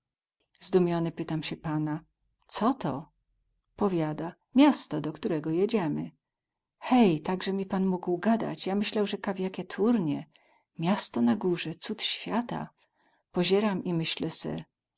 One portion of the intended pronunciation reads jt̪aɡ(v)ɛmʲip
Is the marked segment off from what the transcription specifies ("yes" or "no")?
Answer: yes